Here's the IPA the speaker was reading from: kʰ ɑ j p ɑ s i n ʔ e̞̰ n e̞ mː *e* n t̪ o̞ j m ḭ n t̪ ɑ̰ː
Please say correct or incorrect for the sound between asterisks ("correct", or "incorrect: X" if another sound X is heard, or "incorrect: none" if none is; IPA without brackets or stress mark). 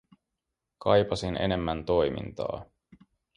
incorrect: æ